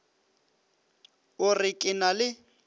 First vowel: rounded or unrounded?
rounded